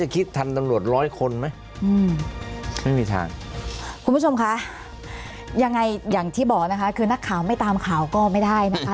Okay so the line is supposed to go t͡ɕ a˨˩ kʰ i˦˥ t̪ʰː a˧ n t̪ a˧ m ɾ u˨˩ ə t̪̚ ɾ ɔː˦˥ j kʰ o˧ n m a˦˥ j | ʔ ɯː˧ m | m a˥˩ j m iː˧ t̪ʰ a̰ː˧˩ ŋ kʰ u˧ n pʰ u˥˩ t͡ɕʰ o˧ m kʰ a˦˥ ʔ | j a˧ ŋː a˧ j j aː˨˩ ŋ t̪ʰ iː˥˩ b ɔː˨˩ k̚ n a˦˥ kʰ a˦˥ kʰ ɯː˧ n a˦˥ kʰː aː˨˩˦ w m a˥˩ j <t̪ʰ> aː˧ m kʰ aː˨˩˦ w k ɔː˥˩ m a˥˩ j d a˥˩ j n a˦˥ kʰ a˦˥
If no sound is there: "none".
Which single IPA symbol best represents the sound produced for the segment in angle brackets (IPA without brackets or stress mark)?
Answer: t̪